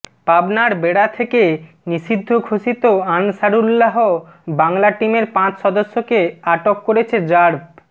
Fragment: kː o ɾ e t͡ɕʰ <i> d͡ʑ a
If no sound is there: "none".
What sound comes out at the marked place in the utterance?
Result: e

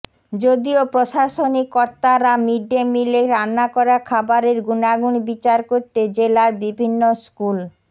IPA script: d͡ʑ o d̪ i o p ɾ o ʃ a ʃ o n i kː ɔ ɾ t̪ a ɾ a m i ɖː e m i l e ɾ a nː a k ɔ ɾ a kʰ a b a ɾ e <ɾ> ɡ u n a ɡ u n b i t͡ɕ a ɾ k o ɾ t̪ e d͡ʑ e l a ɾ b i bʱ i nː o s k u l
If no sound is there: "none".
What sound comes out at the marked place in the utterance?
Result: ɾ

